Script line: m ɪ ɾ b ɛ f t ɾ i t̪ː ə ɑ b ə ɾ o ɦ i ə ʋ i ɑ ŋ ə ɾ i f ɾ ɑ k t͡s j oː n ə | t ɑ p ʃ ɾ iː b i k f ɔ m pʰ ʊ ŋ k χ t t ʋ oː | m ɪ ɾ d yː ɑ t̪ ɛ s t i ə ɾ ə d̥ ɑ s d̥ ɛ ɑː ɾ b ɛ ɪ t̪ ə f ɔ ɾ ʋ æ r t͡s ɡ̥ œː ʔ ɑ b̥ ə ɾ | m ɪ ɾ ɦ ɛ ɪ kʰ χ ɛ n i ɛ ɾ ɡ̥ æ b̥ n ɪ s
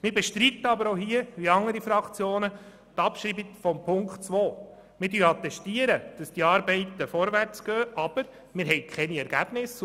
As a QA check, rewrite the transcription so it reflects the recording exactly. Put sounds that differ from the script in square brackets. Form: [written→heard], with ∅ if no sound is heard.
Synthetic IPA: m ɪ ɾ b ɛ [f→ʃ] t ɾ i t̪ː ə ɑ b ə ɾ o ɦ i ə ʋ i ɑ ŋ ə ɾ i f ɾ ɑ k t͡s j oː n ə | t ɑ p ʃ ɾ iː b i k f ɔ m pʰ ʊ ŋ k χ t [t→t͡s] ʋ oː | m ɪ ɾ d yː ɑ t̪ ɛ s t i ə ɾ ə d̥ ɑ s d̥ [ɛ→i] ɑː ɾ b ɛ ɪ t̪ ə f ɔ ɾ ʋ æ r t͡s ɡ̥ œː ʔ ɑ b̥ ə ɾ | m ɪ ɾ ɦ ɛ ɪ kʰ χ ɛ n i ɛ ɾ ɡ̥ æ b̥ n ɪ s